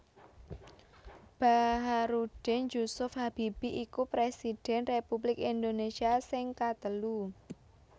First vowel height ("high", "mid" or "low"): low